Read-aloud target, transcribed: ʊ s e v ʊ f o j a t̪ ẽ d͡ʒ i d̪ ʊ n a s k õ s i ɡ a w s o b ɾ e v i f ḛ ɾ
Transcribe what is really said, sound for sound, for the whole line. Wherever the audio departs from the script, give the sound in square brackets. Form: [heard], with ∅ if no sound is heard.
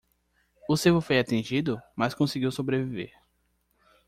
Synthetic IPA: ʊ s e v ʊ f o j a t̪ ẽ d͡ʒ i d̪ ʊ [m] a s k õ s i ɡ [i] w s o b ɾ e v i [v] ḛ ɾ